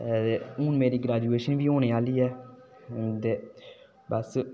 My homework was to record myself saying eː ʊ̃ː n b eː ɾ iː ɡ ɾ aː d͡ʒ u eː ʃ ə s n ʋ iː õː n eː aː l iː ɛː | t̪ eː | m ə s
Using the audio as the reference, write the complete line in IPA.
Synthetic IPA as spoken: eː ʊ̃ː n m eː ɾ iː ɡ ɾ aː d͡ʒ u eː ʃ ə n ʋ iː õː n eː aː l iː ɛː | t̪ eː | b ə s